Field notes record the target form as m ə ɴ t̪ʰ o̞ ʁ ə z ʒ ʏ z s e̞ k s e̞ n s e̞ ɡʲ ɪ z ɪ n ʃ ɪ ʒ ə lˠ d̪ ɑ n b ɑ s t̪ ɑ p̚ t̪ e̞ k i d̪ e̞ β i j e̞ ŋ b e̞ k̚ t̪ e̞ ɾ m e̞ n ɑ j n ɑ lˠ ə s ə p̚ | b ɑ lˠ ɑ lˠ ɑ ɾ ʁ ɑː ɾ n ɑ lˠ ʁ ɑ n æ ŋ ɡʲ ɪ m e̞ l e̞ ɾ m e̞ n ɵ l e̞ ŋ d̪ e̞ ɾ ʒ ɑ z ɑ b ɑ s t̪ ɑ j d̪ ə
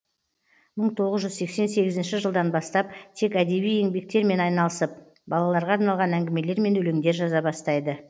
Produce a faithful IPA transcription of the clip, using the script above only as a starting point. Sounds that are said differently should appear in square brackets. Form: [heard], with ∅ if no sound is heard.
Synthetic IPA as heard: m ə ɴ t̪ʰ o̞ ʁ ə z ʒ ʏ z s e̞ k s e̞ n s e̞ ɡʲ ɪ z ɪ n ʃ ɪ ʒ ə lˠ d̪ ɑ n b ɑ s t̪ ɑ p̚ [t̪ʰ] e̞ k [æ] d̪ e̞ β i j e̞ ŋ b e̞ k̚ t̪ e̞ ɾ m e̞ n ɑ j n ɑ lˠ ə s ə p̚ | b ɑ lˠ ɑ lˠ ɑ ɾ ʁ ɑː ɾ n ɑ lˠ ʁ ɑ n æ ŋ ɡʲ ɪ m e̞ l e̞ ɾ m e̞ n ɵ l e̞ ŋ d̪ e̞ ɾ ʒ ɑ z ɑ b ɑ s t̪ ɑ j d̪ ə